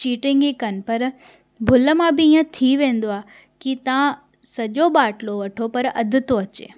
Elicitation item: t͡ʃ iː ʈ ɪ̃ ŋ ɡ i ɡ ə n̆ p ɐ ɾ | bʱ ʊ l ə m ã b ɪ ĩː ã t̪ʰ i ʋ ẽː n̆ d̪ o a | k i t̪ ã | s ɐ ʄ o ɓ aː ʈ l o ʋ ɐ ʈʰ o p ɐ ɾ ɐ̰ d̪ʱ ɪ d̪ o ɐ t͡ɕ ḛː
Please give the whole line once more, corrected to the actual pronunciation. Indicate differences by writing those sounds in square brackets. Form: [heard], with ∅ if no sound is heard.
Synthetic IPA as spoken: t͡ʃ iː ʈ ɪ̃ ŋ ɡ i [k] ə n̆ p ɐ ɾ | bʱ ʊ l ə m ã b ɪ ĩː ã t̪ʰ i ʋ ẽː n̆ d̪ o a | k i t̪ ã | s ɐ ʄ o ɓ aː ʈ l o ʋ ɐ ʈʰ o p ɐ ɾ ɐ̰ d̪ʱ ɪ [t̪] o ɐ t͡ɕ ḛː